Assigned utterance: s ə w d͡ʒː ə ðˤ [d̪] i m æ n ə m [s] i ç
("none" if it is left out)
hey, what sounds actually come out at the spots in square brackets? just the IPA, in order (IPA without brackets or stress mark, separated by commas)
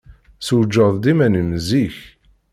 d̪, z